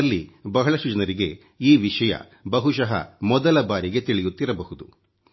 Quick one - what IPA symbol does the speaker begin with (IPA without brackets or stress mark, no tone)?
lː